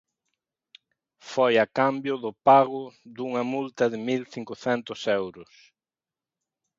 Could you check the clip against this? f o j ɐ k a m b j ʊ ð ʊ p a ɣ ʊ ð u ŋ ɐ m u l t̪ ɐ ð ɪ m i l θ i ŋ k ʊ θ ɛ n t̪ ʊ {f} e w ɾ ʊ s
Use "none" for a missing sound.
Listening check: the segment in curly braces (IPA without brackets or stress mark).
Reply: s